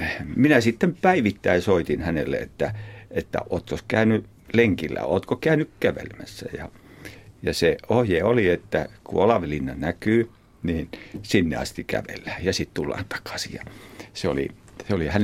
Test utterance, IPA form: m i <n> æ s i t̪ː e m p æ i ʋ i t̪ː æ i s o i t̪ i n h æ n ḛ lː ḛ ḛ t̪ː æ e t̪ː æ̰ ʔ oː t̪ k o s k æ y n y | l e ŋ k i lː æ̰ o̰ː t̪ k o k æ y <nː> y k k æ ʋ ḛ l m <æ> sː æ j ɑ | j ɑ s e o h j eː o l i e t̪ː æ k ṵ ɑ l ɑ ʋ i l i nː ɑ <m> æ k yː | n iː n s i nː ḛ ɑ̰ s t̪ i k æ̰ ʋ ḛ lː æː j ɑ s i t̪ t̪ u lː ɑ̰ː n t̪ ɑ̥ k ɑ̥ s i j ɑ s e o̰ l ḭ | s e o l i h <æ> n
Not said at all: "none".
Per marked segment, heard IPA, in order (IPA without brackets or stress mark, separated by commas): n, n, æ, n, æ